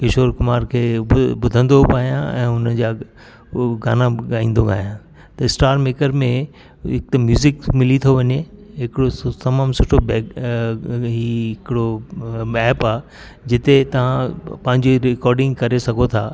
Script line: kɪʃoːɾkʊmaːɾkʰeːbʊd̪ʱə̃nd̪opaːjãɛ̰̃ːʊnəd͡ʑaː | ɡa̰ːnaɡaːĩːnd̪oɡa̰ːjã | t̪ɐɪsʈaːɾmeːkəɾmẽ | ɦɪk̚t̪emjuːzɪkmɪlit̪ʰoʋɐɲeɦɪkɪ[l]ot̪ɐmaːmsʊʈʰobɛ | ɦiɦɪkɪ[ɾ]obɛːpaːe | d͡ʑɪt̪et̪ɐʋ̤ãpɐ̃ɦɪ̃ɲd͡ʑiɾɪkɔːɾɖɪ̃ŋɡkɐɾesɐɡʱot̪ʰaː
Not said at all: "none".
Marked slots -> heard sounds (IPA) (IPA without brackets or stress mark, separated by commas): ɽ, ɽ